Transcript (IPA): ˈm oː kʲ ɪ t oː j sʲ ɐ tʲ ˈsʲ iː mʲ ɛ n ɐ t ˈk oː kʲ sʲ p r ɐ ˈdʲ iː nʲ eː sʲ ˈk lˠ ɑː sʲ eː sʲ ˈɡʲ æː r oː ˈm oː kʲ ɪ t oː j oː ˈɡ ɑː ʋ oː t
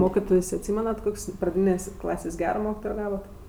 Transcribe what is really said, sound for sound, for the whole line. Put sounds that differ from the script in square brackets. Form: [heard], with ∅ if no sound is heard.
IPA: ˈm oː kʲ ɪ t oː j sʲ ɐ tʲ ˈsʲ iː mʲ ɛ n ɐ t ˈk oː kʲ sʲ p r ɐ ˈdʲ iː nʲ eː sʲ ˈk lˠ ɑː sʲ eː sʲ ˈɡʲ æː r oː ˈm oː kʲ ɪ t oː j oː ˈɡ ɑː ʋ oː t